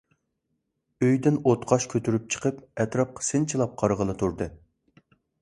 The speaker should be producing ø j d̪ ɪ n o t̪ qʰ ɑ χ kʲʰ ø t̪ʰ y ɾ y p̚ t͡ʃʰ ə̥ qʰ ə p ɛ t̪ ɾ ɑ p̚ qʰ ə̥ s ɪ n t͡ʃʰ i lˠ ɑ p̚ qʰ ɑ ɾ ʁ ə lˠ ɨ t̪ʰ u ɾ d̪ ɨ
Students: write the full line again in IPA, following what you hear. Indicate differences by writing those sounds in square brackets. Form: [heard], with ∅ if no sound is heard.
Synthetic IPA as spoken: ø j d̪ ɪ n o t̪ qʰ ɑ [ʃ] kʲʰ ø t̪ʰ y ɾ y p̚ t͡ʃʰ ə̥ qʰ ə p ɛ t̪ ɾ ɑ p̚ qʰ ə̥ s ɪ n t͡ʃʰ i lˠ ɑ p̚ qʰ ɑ ɾ ʁ ə lˠ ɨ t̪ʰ u ɾ d̪ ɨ